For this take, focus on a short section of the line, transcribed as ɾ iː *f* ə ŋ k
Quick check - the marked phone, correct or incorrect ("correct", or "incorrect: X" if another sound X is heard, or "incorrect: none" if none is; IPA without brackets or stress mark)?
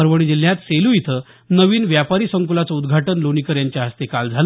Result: incorrect: s